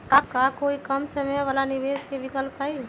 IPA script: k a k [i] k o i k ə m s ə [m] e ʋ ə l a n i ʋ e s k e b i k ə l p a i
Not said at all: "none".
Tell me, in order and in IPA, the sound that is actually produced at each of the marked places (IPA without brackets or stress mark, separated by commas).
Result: a, m